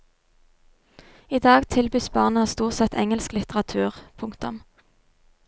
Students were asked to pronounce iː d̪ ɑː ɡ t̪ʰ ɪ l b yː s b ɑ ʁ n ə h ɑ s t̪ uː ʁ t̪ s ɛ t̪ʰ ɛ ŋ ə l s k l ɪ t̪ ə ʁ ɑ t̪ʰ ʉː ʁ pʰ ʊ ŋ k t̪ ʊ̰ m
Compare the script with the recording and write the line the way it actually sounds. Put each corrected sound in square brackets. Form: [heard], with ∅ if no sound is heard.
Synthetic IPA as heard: iː d̪ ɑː ɡ t̪ʰ ɪ l b yː s b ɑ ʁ n ə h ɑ s t̪ uː ʁ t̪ s ɛ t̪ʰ ɛ ŋ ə l s k l ɪ t̪ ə ʁ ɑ t̪ʰ ʉː ʁ pʰ ʊ ŋ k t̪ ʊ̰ m